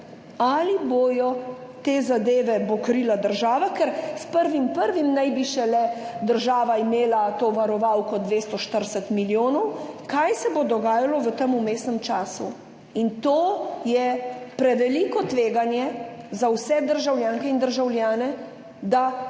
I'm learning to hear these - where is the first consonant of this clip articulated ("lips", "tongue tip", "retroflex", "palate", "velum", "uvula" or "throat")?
tongue tip